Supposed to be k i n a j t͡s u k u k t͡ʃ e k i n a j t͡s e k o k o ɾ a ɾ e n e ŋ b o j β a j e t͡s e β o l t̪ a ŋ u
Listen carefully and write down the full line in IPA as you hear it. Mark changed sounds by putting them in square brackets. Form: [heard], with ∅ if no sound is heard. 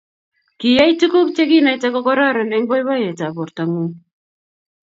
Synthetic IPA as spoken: k i [∅] a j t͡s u k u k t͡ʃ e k i n a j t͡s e k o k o ɾ a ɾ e n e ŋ b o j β a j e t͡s [a] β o [ɾ] t̪ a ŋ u